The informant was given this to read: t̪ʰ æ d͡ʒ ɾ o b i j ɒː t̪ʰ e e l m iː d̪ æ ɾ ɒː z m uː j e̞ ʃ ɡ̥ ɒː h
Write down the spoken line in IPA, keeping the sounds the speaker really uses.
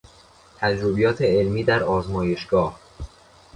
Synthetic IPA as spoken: t̪ʰ æ d͡ʒ ɾ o b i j ɒː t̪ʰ e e l m iː d̪ æ ɾ ɒː z m ɒː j e̞ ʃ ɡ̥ ɒː h